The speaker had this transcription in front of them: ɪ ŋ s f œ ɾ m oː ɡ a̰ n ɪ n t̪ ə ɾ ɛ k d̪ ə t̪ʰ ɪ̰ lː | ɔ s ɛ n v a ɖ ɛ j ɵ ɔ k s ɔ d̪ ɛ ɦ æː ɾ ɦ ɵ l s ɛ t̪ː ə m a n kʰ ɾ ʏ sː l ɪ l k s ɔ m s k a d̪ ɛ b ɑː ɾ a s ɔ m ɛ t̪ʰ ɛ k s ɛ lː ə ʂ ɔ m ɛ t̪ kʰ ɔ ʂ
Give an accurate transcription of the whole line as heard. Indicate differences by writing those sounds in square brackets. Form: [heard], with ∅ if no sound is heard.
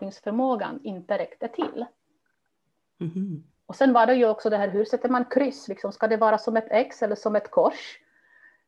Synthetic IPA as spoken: ɪ ŋ s f œ ɾ m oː ɡ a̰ n ɪ n t̪ ə ɾ ɛ k [t̪] ə t̪ʰ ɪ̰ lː | ɔ s ɛ n v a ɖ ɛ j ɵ ɔ k s ɔ d̪ ɛ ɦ æː ɾ ɦ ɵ [ɾ] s ɛ t̪ː ə m a n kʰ ɾ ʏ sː l ɪ [∅] k s ɔ m s k a d̪ ɛ [v] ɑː ɾ a s ɔ m ɛ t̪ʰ ɛ k s ɛ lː ə ʂ ɔ m ɛ t̪ kʰ ɔ ʂ